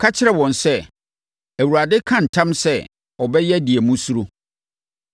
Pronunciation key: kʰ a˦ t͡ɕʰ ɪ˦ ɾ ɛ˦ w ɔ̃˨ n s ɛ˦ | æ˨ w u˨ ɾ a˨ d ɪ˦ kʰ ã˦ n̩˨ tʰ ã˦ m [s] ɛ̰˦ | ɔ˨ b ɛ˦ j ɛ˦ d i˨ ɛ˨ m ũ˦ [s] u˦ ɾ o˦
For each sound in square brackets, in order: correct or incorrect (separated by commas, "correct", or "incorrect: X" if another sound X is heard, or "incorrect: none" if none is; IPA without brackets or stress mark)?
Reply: correct, correct